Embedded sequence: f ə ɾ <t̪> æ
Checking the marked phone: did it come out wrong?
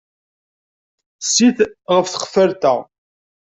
no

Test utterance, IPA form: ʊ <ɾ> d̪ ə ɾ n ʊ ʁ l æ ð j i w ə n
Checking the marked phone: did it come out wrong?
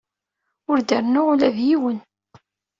no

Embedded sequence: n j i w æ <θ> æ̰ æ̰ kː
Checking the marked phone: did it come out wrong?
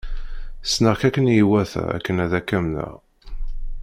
no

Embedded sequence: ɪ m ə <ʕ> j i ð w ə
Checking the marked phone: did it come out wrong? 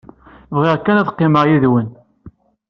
yes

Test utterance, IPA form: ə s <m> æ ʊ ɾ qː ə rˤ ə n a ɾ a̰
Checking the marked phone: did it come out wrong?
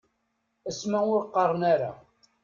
no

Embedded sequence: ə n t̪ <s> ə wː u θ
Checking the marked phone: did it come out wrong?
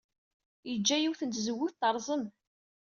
yes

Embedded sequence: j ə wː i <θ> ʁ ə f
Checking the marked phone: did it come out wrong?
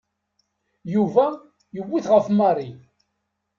no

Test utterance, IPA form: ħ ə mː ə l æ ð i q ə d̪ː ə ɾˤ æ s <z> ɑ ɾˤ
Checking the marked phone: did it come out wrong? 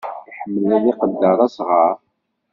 yes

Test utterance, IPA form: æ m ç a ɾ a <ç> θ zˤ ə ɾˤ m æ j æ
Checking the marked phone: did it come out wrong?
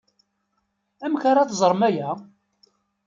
yes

